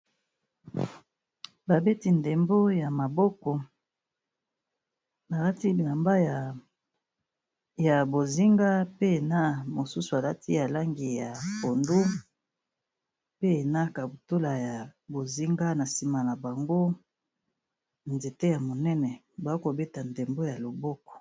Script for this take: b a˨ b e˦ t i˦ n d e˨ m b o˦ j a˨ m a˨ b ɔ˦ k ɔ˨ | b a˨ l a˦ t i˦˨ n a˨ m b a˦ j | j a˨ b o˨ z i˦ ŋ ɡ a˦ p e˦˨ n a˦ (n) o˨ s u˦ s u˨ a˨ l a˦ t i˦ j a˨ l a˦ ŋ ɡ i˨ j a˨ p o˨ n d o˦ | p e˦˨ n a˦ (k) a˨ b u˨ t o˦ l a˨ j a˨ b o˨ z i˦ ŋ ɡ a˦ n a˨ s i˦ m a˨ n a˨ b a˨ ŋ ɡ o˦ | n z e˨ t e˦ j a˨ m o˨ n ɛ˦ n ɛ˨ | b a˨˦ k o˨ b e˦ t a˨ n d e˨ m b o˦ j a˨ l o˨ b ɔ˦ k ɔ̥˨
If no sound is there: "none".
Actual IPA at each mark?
m, k

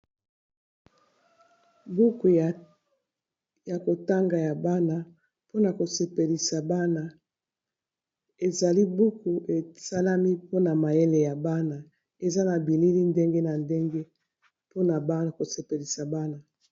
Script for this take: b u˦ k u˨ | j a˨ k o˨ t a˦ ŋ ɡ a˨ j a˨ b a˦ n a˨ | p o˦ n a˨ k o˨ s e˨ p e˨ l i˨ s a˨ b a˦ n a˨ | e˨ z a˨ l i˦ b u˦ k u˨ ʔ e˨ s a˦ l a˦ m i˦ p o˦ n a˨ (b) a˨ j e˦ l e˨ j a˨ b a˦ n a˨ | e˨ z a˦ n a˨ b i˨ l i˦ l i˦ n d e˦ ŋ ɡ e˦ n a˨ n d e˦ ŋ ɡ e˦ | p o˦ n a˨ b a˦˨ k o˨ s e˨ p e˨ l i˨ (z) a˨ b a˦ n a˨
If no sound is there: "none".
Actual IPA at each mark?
m, s

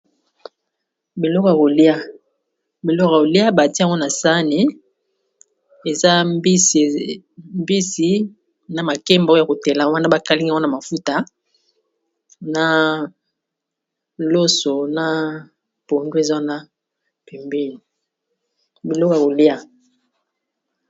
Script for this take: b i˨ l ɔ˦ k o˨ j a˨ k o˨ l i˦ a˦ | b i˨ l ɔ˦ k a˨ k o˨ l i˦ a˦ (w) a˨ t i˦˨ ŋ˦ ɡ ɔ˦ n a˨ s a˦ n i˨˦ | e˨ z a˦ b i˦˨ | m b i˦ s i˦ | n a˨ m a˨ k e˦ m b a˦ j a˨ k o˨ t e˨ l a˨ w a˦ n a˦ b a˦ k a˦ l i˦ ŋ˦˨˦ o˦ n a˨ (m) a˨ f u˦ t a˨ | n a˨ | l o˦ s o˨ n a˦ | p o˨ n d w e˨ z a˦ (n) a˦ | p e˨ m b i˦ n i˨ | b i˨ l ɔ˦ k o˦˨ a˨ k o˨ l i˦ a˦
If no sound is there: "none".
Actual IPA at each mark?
b, m, n

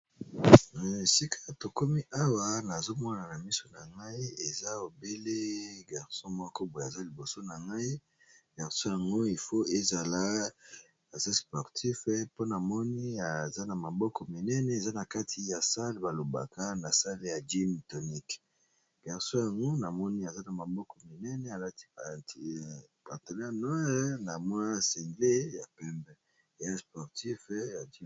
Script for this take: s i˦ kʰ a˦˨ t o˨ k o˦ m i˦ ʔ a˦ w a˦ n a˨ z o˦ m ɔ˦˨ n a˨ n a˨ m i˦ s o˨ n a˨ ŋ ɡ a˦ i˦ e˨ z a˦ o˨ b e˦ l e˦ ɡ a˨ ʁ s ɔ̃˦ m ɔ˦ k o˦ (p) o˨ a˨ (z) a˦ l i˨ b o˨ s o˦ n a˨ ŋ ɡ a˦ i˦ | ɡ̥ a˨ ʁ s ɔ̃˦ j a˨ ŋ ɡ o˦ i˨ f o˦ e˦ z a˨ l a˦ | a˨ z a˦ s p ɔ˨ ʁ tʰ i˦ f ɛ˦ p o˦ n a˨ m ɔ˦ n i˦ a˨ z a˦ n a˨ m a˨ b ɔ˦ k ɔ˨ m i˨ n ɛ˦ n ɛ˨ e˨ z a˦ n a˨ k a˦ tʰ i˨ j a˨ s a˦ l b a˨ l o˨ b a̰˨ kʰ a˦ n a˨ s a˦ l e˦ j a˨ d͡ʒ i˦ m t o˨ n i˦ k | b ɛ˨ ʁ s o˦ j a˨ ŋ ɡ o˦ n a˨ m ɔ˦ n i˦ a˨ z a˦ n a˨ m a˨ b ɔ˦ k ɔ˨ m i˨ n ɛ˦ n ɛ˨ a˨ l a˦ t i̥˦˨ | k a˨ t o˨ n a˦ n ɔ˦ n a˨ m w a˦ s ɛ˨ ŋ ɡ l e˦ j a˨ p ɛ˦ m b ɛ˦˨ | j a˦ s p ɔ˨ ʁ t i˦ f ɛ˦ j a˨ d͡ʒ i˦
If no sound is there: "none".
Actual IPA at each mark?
b, z

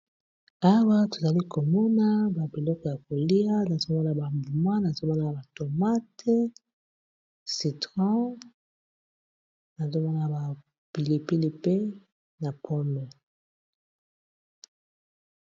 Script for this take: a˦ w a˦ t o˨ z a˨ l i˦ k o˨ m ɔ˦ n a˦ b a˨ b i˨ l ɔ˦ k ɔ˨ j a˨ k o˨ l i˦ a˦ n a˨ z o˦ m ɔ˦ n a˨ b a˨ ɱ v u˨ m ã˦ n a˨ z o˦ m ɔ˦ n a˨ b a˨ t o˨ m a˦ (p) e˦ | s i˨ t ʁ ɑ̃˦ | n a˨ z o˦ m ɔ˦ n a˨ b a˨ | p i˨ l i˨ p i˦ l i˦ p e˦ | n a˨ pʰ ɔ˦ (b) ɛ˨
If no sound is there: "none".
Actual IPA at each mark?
t, m

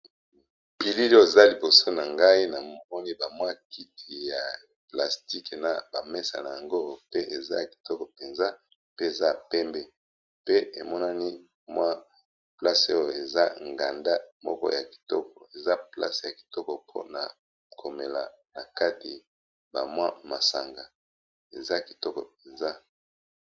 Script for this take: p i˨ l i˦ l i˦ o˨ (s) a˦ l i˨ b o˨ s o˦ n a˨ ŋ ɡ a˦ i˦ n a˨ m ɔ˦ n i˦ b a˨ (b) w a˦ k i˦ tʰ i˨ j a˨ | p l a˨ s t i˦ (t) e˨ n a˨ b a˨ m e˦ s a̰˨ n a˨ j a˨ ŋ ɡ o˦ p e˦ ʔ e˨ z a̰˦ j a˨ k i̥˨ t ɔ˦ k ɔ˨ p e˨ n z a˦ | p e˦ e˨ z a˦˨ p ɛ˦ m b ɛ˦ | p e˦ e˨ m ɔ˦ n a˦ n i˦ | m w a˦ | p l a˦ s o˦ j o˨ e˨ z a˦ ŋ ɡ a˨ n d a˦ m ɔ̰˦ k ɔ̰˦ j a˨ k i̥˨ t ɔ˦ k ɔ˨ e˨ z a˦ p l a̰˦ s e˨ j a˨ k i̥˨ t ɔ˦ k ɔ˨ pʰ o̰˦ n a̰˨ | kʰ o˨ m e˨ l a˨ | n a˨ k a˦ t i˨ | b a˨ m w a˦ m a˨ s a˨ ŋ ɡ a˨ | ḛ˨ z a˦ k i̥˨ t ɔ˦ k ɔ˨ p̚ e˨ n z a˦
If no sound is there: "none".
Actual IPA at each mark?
z, m, k

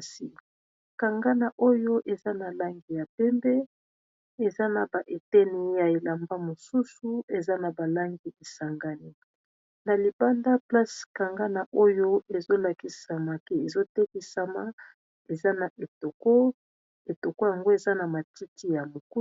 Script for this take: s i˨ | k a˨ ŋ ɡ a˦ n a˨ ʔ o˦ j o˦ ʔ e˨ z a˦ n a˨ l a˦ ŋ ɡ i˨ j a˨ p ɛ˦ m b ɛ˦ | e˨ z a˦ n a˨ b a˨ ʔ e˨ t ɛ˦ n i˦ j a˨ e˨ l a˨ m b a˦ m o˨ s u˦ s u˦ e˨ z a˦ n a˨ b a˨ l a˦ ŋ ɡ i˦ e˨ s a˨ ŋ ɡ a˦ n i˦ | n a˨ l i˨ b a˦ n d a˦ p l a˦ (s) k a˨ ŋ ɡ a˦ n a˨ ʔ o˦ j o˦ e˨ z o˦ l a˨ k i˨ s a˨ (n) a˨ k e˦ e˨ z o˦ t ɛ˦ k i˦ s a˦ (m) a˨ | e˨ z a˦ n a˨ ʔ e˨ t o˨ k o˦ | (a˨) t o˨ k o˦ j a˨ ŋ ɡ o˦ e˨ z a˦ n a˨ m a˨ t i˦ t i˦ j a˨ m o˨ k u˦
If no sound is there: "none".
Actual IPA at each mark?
s, m, m, e˨

